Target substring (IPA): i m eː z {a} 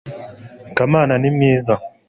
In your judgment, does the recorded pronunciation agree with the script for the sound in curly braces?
yes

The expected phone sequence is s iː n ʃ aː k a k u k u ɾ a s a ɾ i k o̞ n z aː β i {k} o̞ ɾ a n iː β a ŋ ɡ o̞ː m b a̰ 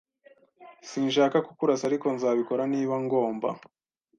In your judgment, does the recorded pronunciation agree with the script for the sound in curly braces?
yes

